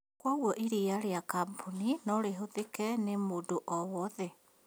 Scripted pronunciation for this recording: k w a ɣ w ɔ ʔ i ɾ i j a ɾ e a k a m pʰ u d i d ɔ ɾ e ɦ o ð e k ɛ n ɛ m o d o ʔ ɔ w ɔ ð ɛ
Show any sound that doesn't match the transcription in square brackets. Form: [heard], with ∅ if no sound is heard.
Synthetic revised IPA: k w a ɣ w ɔ ʔ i ɾ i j a ɾ e a k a m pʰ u [n] i [n] ɔ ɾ e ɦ o ð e k ɛ n [e] m o d o ʔ ɔ w ɔ ð ɛ

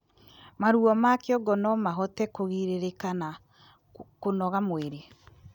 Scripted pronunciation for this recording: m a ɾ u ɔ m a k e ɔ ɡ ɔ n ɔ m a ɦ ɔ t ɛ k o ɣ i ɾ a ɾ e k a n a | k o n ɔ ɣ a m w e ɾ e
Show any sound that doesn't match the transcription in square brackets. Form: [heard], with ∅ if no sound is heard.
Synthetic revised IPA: m a ɾ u ɔ m a k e ɔ ɡ ɔ n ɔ m a ɦ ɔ t ɛ k o ɣ i ɾ [e] ɾ e k a n a | k o n ɔ ɣ a m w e ɾ e

